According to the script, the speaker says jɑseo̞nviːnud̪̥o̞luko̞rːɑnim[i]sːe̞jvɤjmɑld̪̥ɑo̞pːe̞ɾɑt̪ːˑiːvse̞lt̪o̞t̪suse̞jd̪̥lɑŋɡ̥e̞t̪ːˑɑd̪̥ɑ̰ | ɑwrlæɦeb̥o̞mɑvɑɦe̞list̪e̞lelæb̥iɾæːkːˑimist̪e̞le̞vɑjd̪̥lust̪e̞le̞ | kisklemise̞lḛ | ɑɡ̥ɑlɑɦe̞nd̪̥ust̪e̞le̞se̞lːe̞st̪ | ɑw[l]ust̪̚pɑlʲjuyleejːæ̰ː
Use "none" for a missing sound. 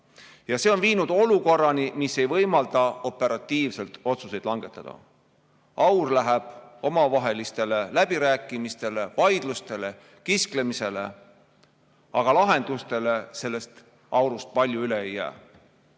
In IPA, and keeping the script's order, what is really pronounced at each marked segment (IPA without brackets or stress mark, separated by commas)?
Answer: i, ɾ